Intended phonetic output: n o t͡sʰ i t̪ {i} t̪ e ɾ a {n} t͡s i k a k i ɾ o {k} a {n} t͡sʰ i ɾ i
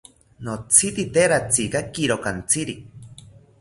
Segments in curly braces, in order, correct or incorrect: correct, incorrect: none, correct, correct

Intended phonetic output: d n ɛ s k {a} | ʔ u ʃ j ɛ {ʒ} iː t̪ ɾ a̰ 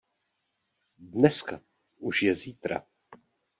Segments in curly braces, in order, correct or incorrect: correct, incorrect: z

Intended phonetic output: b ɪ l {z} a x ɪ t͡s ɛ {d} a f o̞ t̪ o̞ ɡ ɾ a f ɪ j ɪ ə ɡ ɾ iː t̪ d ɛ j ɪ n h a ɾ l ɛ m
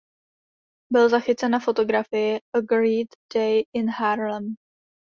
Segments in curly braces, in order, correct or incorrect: correct, incorrect: n

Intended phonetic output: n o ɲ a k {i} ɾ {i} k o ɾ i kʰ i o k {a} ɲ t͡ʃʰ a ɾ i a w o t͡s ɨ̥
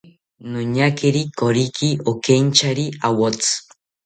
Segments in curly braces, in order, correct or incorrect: incorrect: e, correct, incorrect: e

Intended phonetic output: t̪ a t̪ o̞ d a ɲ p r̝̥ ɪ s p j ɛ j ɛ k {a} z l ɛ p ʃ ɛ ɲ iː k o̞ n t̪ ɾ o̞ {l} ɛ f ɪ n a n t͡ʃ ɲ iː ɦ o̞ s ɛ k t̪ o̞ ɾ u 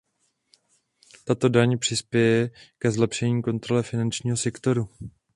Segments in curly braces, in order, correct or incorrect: incorrect: ɛ, correct

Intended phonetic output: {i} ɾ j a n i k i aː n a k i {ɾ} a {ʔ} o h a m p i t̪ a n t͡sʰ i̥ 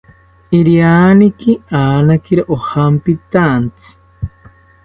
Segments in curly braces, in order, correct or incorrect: correct, correct, correct

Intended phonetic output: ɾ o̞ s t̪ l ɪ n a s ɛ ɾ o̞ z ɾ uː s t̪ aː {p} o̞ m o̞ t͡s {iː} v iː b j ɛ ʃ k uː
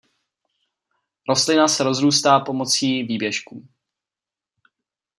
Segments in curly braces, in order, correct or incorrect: correct, correct

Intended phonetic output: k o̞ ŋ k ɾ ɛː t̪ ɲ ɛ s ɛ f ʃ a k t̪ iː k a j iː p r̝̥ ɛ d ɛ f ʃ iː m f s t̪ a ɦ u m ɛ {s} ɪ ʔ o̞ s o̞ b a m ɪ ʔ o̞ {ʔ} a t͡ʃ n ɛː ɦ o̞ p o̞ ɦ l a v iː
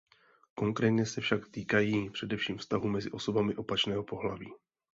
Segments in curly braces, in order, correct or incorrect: incorrect: z, incorrect: p

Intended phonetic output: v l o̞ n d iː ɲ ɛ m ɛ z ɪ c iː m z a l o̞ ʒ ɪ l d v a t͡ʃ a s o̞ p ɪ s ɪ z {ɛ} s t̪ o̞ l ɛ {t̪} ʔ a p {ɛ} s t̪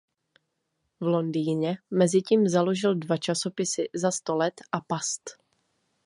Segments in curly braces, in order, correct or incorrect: incorrect: a, correct, incorrect: a

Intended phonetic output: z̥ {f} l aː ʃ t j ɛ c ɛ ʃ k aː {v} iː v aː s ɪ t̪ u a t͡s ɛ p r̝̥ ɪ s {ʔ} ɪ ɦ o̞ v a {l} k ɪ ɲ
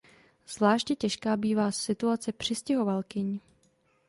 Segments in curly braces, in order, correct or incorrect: incorrect: v, incorrect: b, incorrect: c, correct

